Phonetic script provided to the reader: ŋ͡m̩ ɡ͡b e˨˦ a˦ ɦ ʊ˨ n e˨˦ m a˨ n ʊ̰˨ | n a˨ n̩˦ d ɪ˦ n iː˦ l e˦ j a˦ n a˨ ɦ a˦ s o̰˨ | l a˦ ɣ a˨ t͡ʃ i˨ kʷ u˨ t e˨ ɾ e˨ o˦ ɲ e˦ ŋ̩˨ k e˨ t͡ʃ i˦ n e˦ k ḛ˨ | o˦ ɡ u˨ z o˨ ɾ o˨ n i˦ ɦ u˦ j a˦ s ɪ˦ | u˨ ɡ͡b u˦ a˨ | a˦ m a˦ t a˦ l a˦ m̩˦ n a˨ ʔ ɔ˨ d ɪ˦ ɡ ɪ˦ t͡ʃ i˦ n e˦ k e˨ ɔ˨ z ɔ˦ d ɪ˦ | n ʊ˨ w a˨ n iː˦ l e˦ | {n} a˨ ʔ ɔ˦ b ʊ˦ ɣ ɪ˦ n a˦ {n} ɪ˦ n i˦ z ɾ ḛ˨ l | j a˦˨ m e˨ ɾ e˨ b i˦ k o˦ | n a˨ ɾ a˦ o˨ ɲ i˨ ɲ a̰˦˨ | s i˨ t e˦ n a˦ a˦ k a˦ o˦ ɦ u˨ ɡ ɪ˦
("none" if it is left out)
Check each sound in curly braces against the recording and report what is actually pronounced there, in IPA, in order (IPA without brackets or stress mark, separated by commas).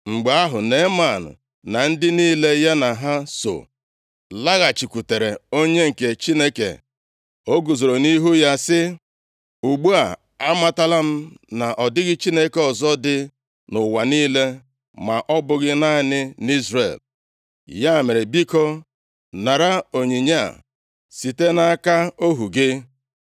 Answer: m, n